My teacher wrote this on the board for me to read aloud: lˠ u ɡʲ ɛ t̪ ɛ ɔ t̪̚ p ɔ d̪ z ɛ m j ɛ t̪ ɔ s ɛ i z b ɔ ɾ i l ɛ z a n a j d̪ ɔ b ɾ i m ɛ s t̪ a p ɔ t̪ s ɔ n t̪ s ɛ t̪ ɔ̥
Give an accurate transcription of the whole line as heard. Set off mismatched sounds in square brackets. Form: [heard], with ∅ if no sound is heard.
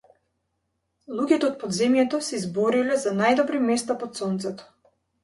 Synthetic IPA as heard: lˠ u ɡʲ ɛ t̪ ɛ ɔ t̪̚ p ɔ d̪ z ɛ m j ɛ t̪ ɔ s ɛ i z b ɔ ɾ i l ɛ z a n a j d̪ ɔ b ɾ i m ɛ s t̪ a p ɔ t̪ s ɔ n t̪ s ɛ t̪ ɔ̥